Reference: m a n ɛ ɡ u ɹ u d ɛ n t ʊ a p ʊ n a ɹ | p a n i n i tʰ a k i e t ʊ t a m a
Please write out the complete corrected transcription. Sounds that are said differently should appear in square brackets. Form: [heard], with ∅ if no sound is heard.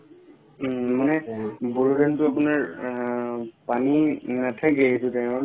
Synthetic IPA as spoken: m a n ɛ [b] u ɹ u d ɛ n t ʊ a p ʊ n a ɹ | p a n i n [a] tʰ a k [ɛ] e t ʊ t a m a

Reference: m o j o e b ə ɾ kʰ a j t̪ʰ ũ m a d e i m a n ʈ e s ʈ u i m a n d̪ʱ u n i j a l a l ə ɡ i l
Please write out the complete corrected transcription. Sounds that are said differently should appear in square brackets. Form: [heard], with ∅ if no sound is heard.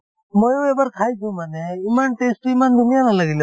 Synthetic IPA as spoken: m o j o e b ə ɾ kʰ a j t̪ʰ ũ m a [n] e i m a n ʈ e s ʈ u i m a n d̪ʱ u n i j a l a l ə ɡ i l

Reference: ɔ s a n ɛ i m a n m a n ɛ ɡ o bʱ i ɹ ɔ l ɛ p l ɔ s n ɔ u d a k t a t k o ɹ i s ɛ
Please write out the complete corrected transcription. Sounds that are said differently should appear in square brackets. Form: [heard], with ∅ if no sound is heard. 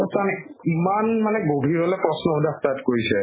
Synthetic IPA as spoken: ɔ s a n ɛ i m a n m a n ɛ ɡ o bʱ i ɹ ɔ l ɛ p [ɹ] ɔ s n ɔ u d a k t a t k o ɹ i s ɛ

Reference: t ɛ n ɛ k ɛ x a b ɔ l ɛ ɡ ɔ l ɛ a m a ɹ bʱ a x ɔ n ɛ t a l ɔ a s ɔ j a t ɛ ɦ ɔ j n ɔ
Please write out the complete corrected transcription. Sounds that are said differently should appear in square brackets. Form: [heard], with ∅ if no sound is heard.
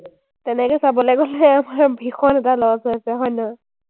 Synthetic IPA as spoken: t ɛ n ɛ k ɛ [s] a b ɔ l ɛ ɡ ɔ l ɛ a m a ɹ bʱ [i] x ɔ n ɛ t a l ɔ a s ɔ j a [s] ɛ ɦ ɔ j n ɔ

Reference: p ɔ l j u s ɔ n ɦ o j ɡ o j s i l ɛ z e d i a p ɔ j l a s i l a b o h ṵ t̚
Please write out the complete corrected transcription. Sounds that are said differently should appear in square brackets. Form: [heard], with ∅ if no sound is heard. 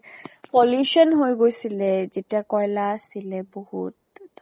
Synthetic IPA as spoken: p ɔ l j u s ɔ n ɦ o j ɡ o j s i l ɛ z e [t] i a [k] ɔ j l a s i l [ɛ] b o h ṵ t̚

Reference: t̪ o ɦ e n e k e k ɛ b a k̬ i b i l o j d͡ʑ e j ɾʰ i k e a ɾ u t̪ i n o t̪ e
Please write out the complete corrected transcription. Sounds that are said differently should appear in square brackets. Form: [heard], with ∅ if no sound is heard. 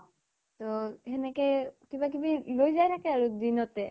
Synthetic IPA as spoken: t̪ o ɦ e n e k e k [i] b a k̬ i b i l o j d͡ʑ [a] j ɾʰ [a] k e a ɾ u [d̪] i n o t̪ e

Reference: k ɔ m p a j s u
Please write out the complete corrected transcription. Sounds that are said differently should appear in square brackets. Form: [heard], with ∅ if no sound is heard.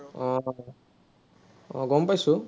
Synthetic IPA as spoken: [ɡ] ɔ m p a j s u

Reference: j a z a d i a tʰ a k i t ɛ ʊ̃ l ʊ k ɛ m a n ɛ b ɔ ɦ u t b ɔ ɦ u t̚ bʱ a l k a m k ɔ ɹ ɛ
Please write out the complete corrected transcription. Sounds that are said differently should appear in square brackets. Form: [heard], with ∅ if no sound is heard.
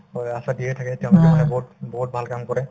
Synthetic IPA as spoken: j a [s] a d i [ɛ] tʰ a k [ɛ] t ɛ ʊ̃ l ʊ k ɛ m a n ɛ b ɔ ɦ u t b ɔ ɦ u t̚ bʱ a l k a m k ɔ ɹ ɛ

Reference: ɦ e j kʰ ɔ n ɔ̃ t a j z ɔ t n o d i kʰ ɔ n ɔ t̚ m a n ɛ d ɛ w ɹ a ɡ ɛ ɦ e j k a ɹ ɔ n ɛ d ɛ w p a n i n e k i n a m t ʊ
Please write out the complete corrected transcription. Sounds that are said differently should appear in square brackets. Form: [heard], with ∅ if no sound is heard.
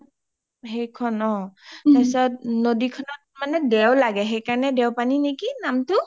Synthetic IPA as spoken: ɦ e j kʰ ɔ n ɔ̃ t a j [s] ɔ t n o d i kʰ ɔ n ɔ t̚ m a n ɛ d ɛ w [l] a ɡ ɛ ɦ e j k a ɹ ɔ n ɛ d ɛ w p a n i n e k i n a m t ʊ

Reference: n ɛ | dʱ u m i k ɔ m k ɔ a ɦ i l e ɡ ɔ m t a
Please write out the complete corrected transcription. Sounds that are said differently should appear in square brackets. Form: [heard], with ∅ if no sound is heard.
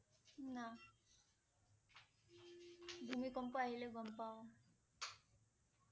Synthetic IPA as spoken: n [a] | [bʱ] u m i k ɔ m [p] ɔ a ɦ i l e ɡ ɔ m [p] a

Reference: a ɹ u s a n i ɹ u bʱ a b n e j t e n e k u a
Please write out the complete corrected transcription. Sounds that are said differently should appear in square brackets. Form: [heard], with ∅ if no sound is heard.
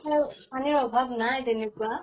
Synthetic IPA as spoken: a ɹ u s a n i ɹ [ɔ] bʱ a b n [a] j t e n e k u a

